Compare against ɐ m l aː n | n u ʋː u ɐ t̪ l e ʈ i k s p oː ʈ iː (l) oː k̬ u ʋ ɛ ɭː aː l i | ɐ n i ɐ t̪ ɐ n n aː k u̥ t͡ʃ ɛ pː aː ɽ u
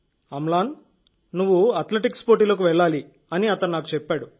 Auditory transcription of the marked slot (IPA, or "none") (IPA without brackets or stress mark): l